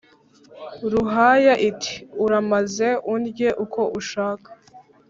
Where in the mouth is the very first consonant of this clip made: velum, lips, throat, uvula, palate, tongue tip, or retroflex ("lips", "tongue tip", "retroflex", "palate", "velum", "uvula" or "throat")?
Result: tongue tip